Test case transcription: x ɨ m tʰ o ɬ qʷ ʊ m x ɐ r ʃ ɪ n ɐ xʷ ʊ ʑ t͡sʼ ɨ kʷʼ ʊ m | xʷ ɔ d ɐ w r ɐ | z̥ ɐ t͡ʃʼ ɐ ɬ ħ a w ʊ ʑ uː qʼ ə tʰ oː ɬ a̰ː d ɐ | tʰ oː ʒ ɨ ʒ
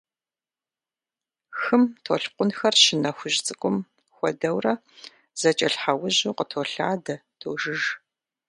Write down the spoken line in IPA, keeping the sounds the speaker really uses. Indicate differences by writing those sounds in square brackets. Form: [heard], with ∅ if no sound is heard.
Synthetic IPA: x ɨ m tʰ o ɬ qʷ ʊ [n] x ɐ r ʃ ɪ n ɐ xʷ ʊ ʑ t͡sʼ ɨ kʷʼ ʊ m | xʷ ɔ d ɐ w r ɐ | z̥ ɐ t͡ʃʼ ɐ ɬ ħ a w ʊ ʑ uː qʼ ə tʰ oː ɬ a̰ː d ɐ | tʰ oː ʒ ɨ ʒ